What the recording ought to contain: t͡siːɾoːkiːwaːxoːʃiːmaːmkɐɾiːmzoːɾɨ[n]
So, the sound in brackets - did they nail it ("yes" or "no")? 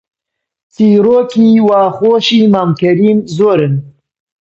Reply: yes